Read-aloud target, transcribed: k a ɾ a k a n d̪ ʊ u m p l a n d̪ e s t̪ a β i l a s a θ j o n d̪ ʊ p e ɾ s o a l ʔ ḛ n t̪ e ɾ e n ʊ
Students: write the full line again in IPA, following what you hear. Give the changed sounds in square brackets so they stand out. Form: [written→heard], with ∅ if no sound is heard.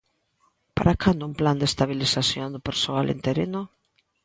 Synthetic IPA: [k→p] a ɾ a k a n d̪ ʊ u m p l a n d̪ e s t̪ a β i l [a→i] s a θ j o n d̪ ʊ p e ɾ s o a l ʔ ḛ n t̪ e ɾ e n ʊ